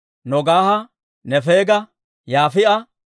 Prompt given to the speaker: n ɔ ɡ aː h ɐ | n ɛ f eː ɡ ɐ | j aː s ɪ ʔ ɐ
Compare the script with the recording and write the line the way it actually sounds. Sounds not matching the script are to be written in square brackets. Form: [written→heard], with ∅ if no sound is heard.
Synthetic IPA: n ɔ ɡ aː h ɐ | n ɛ f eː ɡ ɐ | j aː [s→f] ɪ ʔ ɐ